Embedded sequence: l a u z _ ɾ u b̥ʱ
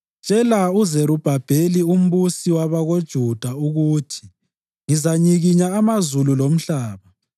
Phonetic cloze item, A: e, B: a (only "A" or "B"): A